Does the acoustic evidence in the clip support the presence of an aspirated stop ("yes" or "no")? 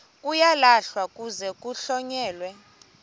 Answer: no